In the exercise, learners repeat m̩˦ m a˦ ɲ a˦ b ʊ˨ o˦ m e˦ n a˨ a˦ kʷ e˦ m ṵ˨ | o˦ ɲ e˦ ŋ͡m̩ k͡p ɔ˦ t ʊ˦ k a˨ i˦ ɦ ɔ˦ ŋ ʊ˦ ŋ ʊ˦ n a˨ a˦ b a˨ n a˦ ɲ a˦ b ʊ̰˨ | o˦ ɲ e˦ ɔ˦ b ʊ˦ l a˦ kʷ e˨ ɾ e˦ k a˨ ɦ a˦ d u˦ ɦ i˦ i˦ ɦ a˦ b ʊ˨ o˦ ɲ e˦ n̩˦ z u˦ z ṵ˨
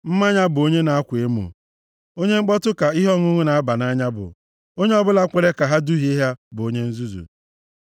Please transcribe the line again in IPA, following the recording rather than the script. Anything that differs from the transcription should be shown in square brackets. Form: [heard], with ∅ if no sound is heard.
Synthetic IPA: m̩˦ m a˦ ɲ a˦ b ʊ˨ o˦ [ɲ] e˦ n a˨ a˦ kʷ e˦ m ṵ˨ | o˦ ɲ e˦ ŋ͡m̩ k͡p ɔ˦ t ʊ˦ k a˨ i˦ ɦ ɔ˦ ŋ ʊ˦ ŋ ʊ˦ n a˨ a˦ b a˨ n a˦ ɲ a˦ b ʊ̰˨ | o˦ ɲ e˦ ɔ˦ b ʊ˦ l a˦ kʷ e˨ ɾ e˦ k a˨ ɦ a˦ d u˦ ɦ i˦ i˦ ɦ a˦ b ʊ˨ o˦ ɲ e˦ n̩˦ z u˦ z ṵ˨